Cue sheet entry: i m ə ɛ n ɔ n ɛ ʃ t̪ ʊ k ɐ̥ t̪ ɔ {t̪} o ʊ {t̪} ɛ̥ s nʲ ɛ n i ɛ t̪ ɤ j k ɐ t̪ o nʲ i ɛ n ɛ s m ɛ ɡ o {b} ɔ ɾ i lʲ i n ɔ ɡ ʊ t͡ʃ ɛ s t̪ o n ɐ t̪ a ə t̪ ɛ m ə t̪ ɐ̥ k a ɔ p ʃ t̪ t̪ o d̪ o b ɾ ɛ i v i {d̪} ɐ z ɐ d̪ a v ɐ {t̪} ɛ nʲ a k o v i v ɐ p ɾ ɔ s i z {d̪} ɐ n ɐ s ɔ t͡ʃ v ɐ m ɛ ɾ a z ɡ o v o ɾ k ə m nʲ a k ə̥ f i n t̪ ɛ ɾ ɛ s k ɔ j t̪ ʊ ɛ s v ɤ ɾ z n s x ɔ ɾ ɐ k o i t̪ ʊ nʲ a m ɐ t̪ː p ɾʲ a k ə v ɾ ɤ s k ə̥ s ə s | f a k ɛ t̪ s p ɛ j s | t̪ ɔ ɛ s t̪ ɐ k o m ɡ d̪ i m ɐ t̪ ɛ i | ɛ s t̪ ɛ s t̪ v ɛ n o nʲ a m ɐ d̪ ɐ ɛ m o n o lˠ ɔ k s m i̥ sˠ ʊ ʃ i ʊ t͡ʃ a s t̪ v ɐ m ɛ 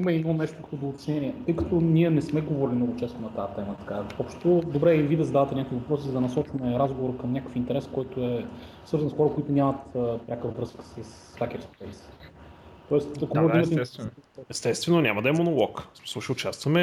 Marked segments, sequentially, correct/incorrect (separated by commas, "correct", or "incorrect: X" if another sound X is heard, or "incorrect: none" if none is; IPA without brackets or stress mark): incorrect: d̪, correct, incorrect: v, correct, correct, correct